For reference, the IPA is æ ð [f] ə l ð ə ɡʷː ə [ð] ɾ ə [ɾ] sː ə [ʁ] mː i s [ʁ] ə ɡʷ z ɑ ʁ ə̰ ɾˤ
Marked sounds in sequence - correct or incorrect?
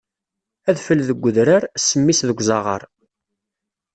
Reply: correct, correct, correct, incorrect: none, incorrect: ð

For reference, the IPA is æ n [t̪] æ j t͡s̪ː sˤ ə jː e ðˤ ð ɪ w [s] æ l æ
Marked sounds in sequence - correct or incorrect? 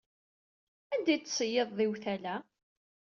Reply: incorrect: d̪, incorrect: θ

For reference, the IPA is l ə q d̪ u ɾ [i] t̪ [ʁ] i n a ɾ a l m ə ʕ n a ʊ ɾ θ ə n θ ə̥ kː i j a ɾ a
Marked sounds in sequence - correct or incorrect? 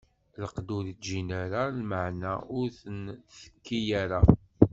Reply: correct, incorrect: ʒ

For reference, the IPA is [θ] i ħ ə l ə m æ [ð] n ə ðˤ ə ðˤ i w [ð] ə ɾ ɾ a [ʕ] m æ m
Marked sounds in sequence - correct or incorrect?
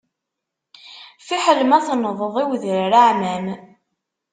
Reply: incorrect: f, incorrect: θ, correct, correct

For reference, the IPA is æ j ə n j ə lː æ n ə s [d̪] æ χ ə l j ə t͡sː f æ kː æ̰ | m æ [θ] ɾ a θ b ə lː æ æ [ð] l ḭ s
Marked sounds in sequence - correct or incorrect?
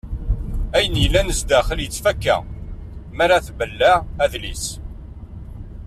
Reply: correct, incorrect: none, correct

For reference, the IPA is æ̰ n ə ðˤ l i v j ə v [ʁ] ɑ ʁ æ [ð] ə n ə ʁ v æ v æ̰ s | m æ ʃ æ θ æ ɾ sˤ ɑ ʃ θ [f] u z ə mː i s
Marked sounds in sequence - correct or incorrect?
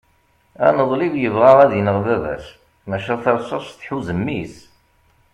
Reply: correct, correct, incorrect: ħ

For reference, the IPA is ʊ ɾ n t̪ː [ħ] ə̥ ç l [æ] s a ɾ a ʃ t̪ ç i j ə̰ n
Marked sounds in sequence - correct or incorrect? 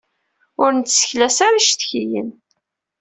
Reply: incorrect: s, correct

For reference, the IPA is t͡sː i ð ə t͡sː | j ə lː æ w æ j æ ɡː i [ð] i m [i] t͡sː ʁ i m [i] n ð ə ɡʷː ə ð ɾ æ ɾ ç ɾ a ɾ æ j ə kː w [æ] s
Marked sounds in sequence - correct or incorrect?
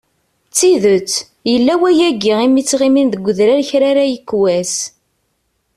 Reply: incorrect: ʁ, correct, correct, correct

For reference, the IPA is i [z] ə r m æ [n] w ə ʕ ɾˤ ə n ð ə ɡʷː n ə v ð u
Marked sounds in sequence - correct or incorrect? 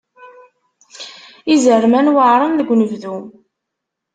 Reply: correct, correct

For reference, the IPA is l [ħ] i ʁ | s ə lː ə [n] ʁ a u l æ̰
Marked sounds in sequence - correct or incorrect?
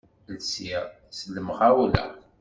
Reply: incorrect: s, incorrect: m

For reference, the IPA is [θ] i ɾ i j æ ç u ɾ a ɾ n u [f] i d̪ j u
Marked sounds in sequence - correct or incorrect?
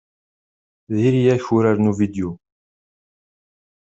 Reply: incorrect: ð, incorrect: v

